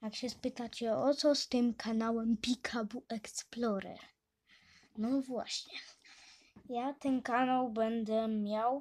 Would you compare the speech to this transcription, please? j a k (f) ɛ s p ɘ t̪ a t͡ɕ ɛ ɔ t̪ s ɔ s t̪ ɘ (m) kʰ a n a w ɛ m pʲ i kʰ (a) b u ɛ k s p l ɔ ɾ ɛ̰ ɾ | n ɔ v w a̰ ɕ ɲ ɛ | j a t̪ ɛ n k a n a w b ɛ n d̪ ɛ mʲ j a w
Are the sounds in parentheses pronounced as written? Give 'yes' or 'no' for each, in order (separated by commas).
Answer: no, yes, yes